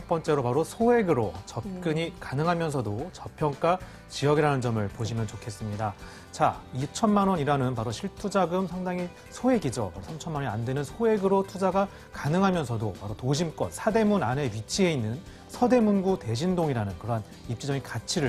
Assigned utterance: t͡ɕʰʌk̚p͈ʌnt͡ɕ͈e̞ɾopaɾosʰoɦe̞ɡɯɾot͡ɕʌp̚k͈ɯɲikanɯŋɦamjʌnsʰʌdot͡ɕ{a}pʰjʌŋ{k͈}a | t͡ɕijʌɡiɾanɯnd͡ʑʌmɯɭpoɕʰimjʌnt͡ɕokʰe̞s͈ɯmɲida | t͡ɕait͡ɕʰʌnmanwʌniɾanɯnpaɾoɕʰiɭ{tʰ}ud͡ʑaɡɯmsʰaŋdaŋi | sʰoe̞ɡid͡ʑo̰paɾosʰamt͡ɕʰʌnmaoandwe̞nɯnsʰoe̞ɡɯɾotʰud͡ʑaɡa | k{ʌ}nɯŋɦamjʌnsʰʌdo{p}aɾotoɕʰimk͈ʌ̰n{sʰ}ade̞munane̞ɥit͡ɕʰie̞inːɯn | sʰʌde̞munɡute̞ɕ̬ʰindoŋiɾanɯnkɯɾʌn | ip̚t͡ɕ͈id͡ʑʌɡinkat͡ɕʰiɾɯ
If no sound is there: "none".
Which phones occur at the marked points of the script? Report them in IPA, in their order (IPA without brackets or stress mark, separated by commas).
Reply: ʌ, k͈, tʰ, a, p, sʰ